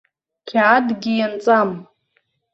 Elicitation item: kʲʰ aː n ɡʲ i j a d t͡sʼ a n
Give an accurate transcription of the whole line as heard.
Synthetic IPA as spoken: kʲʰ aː d ɡʲ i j a n t͡sʼ a m